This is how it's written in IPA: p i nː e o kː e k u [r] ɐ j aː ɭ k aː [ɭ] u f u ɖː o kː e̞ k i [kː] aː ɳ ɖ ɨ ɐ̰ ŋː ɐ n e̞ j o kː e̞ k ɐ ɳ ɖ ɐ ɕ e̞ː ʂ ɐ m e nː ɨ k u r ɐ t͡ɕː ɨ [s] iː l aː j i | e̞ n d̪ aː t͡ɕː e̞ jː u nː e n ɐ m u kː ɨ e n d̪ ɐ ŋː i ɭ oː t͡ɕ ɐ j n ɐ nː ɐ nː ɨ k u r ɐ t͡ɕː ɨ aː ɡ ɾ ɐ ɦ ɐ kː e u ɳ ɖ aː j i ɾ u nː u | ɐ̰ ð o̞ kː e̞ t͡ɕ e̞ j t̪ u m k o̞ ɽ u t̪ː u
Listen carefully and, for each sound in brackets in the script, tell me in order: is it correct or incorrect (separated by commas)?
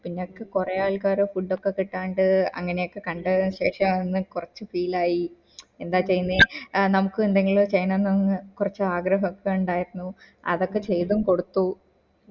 correct, incorrect, incorrect, incorrect